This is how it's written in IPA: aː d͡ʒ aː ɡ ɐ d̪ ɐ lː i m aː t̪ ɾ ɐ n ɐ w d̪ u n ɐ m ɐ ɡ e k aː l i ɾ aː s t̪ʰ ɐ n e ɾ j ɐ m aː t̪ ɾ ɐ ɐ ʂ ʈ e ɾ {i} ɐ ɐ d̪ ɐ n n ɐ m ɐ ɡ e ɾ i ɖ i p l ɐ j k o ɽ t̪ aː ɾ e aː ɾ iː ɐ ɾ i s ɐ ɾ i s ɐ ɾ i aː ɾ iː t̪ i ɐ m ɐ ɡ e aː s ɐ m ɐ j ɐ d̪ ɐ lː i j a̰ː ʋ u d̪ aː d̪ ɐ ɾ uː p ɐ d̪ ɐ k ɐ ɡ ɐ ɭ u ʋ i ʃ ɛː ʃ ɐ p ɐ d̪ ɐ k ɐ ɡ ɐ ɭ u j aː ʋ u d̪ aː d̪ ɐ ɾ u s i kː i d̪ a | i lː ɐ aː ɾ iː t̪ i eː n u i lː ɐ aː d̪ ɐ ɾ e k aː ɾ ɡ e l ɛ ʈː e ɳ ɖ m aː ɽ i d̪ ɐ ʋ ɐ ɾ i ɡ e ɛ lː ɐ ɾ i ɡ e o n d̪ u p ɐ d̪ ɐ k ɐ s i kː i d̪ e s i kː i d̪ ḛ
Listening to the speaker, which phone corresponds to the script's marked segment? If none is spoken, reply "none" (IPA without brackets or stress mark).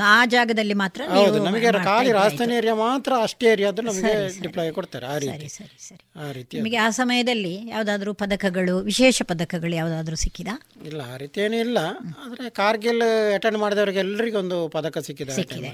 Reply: j